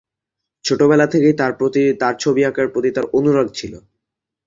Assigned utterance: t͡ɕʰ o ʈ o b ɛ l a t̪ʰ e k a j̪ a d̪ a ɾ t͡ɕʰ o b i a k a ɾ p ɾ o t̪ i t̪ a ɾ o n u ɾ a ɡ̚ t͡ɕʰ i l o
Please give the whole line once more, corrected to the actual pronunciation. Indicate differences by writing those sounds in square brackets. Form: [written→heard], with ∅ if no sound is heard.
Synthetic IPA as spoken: t͡ɕʰ o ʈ o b ɛ l a t̪ʰ e k [a→e] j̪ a [d̪→t̪] a ɾ t͡ɕʰ o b i a k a ɾ p ɾ o t̪ i t̪ a ɾ o n u ɾ a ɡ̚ t͡ɕʰ i l o